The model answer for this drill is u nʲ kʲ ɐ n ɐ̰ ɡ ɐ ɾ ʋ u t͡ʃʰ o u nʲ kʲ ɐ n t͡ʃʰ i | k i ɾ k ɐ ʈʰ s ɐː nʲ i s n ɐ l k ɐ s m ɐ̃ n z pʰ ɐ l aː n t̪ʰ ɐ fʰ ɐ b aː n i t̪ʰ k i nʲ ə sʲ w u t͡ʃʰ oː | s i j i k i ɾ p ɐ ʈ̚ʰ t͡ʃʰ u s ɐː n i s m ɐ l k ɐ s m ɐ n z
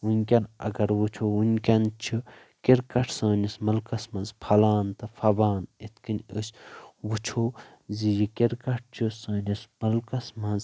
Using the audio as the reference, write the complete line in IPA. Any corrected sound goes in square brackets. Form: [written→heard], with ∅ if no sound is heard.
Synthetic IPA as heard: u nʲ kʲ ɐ n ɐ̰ ɡ ɐ ɾ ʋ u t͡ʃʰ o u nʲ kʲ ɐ n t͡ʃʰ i | k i ɾ k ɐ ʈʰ s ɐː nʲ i s [n→m] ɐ l k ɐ s m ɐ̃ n z pʰ ɐ l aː n [t̪ʰ→t̪] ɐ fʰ ɐ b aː n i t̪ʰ k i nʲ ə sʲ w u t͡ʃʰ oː | [s→z] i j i k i ɾ [p→k] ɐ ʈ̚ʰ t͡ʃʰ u s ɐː n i s m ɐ l k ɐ s m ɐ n z